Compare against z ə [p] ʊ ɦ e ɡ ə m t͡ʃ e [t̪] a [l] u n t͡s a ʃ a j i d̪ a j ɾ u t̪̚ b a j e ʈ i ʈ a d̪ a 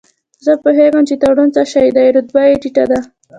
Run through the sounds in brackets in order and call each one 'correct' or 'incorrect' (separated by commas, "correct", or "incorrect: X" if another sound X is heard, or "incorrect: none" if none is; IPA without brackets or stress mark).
correct, correct, incorrect: ɽ